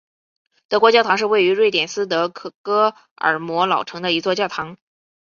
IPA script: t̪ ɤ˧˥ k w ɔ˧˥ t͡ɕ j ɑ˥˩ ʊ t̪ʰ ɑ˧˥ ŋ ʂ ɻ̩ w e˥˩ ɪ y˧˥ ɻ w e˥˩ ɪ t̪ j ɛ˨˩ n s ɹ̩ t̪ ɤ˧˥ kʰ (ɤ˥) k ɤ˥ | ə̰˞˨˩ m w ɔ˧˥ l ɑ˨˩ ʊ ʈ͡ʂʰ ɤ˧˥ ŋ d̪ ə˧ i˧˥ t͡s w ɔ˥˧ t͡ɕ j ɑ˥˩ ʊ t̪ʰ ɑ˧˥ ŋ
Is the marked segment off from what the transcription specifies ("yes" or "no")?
yes